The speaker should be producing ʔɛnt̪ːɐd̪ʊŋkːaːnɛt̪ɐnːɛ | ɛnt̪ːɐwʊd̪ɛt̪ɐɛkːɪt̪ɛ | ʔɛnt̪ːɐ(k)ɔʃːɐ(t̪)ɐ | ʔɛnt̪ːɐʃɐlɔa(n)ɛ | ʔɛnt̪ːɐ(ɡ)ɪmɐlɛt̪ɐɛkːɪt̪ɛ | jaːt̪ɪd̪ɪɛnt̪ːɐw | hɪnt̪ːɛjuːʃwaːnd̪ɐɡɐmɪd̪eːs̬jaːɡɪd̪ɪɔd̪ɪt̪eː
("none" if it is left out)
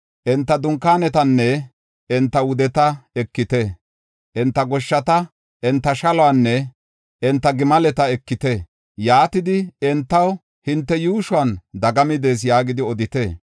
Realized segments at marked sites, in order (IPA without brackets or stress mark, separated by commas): ɡ, t̪, nː, ɡ